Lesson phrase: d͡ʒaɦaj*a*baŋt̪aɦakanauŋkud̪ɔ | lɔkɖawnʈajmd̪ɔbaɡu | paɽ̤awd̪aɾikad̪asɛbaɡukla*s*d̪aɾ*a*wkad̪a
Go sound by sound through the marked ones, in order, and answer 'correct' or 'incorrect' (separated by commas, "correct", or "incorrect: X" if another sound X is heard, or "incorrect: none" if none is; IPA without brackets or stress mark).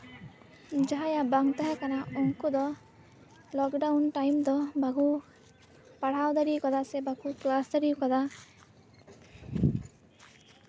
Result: correct, correct, incorrect: i